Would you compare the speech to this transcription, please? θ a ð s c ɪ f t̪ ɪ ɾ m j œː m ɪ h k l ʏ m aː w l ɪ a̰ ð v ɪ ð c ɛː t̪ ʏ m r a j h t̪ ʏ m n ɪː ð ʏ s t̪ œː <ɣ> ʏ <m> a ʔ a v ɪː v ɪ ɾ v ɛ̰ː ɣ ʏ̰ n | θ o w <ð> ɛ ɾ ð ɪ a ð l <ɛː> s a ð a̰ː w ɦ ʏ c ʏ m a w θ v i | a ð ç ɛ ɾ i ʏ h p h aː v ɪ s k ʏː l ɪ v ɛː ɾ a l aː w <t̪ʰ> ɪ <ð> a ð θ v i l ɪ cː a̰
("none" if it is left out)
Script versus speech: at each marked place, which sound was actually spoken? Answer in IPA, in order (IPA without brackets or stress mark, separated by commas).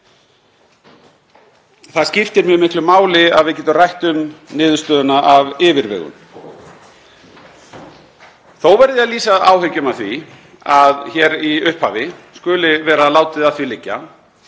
ð, n, v, iː, t̪, ð